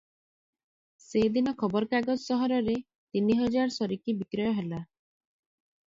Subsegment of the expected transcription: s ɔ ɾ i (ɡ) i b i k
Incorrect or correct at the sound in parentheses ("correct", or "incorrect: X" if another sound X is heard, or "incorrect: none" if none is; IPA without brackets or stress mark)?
incorrect: k